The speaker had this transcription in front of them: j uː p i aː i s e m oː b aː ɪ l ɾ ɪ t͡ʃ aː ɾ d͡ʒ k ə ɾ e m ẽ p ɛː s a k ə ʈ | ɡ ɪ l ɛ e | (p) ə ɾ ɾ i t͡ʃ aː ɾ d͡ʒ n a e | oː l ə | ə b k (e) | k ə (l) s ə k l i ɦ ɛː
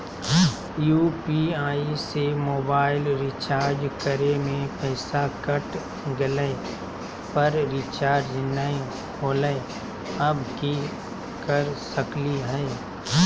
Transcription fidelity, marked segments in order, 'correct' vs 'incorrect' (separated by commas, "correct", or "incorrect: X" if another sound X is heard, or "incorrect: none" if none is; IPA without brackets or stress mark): correct, incorrect: i, incorrect: ɾ